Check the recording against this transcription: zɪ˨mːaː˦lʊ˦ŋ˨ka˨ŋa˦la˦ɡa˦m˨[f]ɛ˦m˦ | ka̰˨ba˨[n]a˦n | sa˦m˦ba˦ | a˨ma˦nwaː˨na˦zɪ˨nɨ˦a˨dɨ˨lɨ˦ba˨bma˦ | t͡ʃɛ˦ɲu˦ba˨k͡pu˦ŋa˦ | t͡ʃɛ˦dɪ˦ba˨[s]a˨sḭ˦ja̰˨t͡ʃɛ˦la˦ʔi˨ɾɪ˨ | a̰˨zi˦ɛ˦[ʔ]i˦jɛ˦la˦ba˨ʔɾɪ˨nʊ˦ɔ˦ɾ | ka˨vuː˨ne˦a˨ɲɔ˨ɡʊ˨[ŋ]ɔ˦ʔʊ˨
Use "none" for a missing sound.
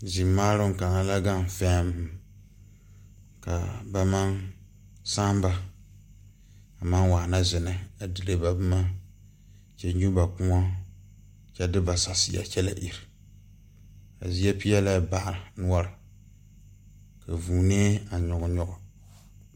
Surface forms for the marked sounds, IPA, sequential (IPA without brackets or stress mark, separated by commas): f, m, s, p, ɲ